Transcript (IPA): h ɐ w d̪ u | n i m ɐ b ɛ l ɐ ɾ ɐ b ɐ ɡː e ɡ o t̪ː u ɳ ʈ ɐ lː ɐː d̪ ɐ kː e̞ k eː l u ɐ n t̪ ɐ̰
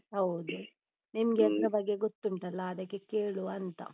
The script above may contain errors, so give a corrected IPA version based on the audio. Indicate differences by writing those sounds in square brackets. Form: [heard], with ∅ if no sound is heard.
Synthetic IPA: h ɐ w d̪ u | n i m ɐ [ɡ] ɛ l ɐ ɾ ɐ b ɐ ɡː e ɡ o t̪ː u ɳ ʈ ɐ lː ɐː d̪ ɐ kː e̞ k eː [ɭ] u ɐ n t̪ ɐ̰